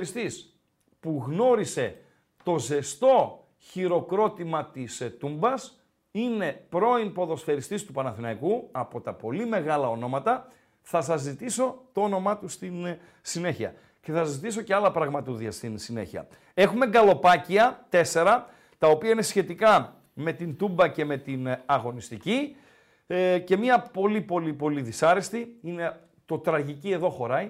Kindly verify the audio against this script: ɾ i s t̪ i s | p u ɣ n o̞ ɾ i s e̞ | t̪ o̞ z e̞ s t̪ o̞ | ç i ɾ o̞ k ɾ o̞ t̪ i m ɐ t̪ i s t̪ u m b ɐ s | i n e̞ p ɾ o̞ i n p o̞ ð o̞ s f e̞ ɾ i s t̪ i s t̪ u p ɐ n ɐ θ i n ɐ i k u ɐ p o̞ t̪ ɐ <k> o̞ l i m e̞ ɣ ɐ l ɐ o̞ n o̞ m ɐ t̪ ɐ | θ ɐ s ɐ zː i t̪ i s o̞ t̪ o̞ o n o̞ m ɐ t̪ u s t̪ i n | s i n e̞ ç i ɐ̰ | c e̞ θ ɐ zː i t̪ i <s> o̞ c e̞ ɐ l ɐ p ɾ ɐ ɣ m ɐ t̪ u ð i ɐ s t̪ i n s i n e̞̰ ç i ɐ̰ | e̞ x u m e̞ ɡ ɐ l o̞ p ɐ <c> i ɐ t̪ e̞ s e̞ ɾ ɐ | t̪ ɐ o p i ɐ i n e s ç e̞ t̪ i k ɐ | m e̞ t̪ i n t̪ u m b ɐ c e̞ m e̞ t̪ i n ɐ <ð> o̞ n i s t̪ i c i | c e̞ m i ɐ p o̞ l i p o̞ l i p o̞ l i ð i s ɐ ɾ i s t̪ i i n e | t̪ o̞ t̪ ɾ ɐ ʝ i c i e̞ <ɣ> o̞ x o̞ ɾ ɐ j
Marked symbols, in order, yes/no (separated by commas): no, yes, yes, no, no